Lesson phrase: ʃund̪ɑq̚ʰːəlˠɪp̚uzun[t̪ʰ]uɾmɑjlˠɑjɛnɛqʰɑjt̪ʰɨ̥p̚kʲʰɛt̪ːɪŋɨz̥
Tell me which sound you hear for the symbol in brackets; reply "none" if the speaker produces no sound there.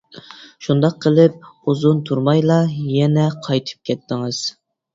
t̪ʰ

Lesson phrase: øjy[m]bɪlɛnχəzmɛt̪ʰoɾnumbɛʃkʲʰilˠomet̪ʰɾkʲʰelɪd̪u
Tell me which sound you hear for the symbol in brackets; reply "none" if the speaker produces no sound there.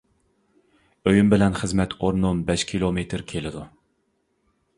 m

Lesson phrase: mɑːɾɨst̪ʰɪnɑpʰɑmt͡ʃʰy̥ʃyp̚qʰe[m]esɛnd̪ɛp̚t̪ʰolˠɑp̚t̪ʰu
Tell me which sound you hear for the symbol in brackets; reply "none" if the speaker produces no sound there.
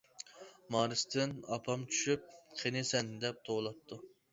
n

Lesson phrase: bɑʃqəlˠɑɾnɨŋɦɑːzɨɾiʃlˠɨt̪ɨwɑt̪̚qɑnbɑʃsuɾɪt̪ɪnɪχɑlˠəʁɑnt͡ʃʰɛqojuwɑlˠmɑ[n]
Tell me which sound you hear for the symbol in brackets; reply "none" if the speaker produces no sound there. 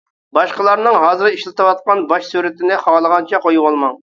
ŋ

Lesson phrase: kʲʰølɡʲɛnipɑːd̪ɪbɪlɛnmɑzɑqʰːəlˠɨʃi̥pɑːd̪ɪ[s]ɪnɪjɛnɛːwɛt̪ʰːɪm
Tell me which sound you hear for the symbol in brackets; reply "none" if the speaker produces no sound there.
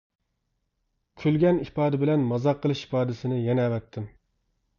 s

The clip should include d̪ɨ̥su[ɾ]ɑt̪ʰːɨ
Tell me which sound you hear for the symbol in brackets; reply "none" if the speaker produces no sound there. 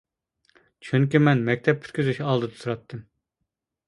ɾ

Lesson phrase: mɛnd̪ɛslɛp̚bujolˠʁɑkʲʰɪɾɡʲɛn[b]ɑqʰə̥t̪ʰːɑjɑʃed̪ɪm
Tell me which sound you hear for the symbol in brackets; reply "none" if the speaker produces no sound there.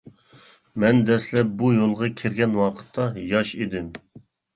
w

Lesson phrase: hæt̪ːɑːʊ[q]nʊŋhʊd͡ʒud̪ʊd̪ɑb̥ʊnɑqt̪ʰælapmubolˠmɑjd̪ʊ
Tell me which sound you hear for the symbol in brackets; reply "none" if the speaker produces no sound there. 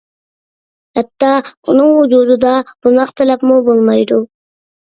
none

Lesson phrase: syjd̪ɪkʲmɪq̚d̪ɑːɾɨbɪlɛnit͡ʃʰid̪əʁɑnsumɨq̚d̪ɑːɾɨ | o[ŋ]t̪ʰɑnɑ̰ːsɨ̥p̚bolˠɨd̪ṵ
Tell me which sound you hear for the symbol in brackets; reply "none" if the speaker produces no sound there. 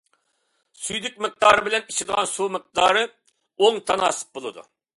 ŋ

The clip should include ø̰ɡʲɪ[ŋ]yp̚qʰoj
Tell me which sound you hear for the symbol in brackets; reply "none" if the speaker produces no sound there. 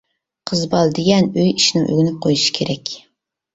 n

